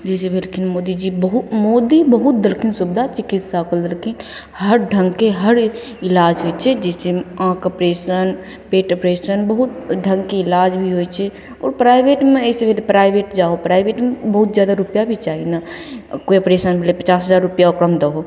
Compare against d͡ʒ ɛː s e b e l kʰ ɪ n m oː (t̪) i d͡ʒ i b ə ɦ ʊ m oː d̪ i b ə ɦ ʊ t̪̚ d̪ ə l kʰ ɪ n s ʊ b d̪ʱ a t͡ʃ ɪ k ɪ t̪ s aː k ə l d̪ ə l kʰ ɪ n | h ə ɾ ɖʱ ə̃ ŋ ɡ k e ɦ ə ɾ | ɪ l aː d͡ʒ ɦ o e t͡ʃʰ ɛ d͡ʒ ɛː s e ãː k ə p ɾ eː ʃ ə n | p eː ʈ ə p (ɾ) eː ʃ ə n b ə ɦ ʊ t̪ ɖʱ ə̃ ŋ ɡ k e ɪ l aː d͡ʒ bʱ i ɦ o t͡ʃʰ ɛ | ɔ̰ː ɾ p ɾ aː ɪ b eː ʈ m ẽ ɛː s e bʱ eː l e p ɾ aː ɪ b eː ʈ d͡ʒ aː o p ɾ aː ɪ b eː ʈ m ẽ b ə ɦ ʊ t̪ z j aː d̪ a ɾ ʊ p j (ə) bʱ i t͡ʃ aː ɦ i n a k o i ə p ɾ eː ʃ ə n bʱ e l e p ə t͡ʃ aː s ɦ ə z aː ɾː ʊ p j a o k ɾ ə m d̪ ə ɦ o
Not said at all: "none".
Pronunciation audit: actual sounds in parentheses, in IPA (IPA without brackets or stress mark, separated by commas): d̪, ɾ, a